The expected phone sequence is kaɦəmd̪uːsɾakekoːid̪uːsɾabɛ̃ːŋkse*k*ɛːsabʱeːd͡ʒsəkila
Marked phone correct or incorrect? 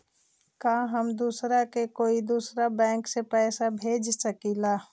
incorrect